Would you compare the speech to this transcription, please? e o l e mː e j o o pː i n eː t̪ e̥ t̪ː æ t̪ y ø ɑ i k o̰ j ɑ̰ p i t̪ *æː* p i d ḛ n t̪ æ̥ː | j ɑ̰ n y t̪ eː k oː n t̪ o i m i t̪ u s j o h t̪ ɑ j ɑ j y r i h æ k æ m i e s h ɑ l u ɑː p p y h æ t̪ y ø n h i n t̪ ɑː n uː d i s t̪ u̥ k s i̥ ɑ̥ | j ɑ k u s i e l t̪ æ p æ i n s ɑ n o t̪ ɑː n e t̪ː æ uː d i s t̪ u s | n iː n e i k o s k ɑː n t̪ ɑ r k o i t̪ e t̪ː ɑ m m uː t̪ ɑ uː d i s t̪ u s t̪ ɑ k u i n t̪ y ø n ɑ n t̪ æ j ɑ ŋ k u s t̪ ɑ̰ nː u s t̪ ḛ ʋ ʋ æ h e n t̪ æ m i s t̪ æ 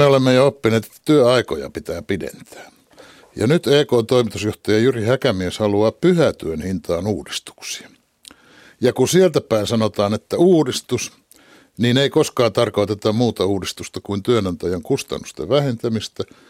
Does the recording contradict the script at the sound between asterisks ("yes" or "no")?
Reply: no